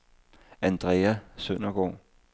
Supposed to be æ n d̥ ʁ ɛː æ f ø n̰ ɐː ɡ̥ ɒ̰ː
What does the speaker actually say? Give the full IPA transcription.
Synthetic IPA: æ n d̥ ʁ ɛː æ s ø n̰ ɐ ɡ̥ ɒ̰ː